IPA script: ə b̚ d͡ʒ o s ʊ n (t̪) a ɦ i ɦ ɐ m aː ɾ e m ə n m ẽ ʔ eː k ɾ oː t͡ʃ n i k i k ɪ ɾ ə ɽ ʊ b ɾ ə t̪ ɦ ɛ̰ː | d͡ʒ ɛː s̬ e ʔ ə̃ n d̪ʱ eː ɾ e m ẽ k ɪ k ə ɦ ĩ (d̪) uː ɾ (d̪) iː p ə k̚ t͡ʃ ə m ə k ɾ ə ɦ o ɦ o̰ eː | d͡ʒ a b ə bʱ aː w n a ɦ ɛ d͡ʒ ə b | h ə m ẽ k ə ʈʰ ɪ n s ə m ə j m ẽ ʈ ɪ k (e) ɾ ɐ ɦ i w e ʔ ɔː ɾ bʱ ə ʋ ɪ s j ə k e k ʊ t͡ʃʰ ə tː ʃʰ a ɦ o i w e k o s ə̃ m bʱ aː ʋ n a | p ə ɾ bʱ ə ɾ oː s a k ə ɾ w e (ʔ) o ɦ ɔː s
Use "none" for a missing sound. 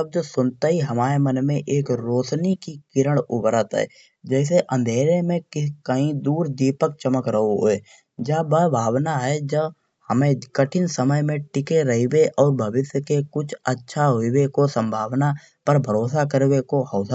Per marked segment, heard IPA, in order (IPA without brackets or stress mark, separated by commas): t̪, d̪, d̪, e, k